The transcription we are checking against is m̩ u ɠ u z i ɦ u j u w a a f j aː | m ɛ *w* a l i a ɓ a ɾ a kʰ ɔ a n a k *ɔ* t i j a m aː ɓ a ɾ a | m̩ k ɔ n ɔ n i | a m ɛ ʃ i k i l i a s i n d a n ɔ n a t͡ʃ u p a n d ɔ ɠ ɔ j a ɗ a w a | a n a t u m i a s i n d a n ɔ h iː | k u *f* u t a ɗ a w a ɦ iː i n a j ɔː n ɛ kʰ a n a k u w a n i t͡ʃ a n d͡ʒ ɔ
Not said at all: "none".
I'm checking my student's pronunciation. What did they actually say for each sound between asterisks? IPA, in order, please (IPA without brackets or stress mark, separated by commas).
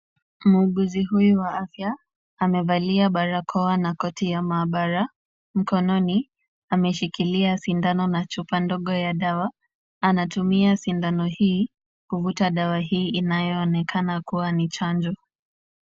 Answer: v, ɔ, v